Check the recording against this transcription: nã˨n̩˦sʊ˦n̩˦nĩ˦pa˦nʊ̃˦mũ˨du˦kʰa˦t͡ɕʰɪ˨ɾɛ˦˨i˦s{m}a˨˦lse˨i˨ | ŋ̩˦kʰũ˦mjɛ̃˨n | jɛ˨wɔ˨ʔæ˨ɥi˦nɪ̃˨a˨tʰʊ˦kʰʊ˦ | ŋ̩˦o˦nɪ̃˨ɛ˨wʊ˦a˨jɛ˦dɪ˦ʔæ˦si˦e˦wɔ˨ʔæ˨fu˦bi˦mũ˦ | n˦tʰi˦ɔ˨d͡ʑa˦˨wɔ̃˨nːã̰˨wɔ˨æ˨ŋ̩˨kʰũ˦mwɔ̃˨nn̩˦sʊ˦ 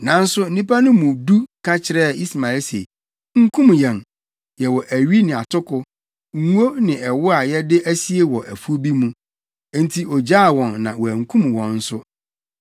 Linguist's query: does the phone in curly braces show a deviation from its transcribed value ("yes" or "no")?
no